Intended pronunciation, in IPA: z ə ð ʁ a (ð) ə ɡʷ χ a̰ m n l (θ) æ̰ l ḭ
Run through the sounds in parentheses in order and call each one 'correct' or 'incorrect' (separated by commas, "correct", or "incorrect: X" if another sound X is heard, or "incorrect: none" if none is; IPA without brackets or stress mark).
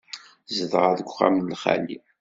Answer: correct, incorrect: χ